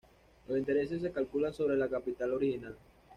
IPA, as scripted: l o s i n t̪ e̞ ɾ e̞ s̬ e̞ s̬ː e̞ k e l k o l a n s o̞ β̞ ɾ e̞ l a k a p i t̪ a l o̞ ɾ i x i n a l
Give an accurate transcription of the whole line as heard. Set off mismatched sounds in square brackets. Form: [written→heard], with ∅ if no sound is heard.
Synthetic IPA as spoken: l o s i n t̪ e̞ ɾ e̞ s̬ e̞ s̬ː e̞ k [e→a] l k [o→u] l a n s o̞ β̞ ɾ e̞ l a k a p i t̪ a l o̞ ɾ i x i n a l